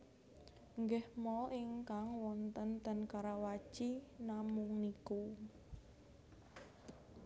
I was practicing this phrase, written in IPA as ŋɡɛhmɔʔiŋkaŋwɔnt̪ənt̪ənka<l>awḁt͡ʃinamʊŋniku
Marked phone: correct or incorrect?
incorrect